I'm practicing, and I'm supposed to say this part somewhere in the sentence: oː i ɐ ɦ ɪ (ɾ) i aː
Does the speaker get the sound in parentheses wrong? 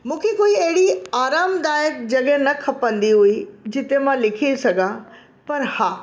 yes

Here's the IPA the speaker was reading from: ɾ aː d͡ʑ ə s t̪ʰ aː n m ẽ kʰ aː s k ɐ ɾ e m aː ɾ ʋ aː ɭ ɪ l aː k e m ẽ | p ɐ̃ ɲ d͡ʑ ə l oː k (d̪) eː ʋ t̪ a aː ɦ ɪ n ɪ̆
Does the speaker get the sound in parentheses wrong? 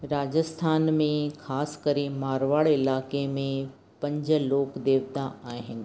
no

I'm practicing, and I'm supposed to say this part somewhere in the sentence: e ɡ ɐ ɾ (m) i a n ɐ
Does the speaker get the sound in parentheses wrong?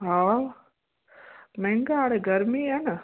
no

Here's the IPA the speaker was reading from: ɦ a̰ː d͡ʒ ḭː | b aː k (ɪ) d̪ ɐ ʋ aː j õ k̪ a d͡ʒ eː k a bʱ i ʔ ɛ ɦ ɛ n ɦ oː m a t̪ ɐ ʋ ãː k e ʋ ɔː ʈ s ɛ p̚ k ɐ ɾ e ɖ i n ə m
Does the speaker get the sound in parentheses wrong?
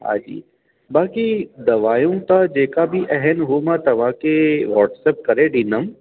yes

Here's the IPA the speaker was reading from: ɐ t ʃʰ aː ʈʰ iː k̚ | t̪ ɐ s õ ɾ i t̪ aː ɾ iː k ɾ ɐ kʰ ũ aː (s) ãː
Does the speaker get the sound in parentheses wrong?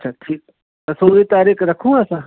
no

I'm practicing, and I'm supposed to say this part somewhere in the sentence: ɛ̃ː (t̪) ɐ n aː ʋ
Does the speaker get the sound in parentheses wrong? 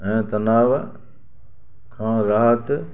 no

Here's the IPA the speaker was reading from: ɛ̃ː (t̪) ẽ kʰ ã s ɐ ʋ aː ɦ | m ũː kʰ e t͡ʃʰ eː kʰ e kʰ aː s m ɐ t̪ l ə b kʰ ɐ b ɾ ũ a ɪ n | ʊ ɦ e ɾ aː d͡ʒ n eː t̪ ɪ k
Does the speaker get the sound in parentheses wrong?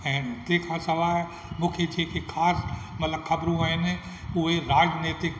no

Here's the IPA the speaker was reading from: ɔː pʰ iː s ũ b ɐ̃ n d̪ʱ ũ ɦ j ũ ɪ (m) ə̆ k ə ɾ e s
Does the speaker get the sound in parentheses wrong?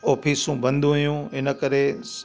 yes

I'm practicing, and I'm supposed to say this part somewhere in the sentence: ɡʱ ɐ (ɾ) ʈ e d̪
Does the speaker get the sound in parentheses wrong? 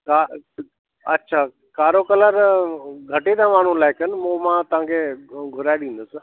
yes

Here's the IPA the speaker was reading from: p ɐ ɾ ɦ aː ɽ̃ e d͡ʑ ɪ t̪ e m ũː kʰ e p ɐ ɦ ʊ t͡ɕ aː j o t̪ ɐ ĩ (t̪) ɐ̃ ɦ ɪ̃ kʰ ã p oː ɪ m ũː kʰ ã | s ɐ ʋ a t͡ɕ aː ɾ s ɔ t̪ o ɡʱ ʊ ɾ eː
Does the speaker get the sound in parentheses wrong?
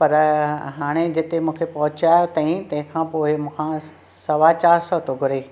no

